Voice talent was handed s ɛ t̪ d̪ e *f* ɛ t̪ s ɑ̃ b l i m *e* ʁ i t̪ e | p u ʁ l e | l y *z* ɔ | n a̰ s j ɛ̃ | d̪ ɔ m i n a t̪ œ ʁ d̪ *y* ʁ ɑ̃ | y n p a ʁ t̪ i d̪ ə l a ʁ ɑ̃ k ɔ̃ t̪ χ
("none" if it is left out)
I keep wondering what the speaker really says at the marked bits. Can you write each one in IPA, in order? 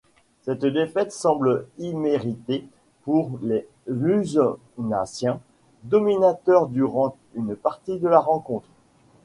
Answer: f, e, z, y

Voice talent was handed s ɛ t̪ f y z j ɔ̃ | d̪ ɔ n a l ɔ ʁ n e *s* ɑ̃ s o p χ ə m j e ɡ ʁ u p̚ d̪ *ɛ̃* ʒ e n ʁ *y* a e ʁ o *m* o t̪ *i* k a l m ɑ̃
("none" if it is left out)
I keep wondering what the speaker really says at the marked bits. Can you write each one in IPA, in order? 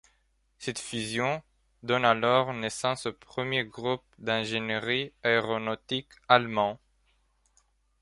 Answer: s, ɛ̃, i, n, i

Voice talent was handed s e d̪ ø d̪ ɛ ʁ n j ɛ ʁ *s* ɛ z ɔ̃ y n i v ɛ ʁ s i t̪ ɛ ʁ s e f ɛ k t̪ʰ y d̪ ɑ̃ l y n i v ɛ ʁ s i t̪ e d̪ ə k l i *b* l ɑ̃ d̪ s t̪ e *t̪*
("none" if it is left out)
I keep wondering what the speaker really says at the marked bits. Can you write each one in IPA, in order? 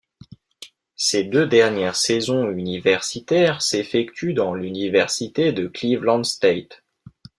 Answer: s, v, t̪

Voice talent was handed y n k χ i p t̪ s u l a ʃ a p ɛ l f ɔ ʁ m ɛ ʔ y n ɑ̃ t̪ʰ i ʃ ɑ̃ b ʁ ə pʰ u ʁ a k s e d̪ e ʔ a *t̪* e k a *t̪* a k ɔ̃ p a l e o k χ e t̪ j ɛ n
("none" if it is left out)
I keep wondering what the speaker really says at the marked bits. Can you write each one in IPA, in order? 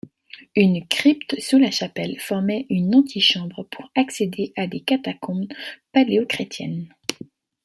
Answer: d̪, t̪

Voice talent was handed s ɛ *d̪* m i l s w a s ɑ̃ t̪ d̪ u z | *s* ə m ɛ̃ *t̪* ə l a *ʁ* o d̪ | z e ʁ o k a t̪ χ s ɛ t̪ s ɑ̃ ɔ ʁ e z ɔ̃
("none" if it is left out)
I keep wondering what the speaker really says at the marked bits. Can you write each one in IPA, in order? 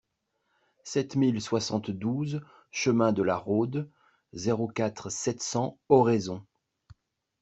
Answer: t̪, ʃ, d̪, ʁ

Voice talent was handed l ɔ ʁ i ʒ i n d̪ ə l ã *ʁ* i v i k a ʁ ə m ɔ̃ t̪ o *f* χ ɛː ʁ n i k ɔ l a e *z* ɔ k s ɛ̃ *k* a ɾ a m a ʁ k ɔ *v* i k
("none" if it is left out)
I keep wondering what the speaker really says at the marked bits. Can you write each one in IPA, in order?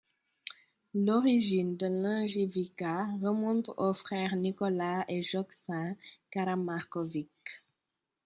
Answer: ʒ, f, ʒ, k, v

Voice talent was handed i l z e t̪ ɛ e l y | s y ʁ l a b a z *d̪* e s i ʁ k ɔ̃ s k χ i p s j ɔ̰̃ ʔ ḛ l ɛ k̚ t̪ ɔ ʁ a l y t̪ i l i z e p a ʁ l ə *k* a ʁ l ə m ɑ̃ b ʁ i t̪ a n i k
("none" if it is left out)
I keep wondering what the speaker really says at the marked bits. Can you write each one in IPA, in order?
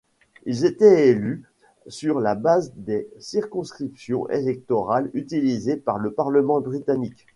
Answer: d̪, p

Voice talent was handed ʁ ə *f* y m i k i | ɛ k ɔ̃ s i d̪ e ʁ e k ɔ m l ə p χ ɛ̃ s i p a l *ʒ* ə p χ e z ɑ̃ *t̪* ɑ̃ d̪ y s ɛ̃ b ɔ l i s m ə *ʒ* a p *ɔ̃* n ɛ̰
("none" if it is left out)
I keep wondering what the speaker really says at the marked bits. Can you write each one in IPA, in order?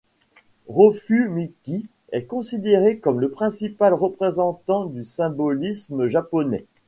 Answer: f, ʁ, t̪, ʒ, ɔ

